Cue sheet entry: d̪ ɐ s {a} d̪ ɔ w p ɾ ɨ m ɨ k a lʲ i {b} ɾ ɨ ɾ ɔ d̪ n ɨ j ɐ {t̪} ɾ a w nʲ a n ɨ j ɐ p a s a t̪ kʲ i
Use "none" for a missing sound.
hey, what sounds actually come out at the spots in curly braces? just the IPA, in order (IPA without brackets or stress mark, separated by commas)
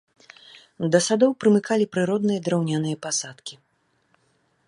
a, p, d̪